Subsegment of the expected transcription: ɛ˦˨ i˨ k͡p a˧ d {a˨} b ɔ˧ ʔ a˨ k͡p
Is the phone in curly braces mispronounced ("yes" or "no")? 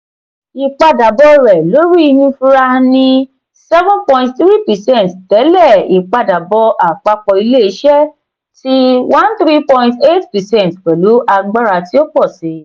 no